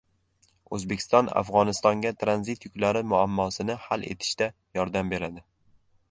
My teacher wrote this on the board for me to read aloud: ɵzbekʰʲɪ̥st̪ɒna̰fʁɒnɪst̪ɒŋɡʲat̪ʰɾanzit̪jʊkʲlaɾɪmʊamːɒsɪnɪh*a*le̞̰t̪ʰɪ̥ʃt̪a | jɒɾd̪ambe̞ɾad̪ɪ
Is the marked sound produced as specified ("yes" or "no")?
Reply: yes